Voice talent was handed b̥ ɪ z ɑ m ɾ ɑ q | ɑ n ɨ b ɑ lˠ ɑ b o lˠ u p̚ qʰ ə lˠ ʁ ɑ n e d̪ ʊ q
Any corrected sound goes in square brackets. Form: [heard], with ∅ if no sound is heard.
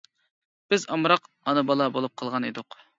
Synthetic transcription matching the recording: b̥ ɪ z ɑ m ɾ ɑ q | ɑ n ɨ b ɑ lˠ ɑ b o lˠ u p̚ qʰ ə lˠ ʁ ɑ n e d̪ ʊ q